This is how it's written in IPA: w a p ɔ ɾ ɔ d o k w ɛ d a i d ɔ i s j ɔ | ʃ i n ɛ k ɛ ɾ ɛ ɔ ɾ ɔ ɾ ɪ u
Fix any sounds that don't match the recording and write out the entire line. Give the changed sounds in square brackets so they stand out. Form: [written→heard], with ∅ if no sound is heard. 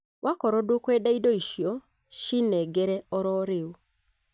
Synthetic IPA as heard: w a [p→k] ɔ ɾ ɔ d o k w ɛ d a i d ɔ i [s→ʃ] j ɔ | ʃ i n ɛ [k→ɡ] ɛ ɾ ɛ ɔ ɾ ɔ ɾ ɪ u